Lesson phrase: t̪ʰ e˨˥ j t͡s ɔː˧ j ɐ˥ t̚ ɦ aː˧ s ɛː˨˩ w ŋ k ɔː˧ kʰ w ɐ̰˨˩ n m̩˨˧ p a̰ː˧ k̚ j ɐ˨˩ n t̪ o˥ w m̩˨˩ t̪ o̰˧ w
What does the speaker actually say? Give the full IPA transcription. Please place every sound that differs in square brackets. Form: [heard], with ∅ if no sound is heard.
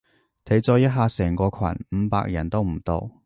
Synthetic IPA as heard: t̪ʰ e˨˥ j t͡s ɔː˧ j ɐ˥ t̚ ɦ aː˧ s ɛː˨˩ [∅] ŋ k ɔː˧ kʰ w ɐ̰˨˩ n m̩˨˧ p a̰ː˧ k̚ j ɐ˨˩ n t̪ o˥ w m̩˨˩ t̪ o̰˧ w